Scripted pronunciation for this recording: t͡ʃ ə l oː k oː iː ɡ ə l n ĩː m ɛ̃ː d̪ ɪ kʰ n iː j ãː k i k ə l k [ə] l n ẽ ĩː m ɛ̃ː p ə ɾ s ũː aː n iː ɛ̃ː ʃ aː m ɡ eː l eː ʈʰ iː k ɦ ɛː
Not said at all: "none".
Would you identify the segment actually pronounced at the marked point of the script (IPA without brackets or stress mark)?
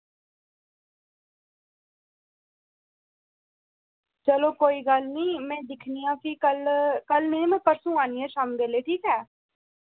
ə